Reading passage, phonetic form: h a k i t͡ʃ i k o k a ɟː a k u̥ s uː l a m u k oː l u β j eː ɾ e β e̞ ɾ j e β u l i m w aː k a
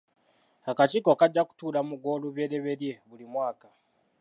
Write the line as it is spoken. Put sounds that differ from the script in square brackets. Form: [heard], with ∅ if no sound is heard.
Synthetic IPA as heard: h a k [a] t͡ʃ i k o k a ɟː a k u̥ [t] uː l a m u [ɡ] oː l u β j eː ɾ e β e̞ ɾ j e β u l i m w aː k a